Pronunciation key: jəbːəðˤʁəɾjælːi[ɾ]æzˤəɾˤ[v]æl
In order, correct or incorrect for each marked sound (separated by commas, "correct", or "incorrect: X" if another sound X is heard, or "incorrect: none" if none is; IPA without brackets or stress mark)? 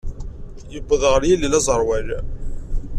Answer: incorrect: l, incorrect: w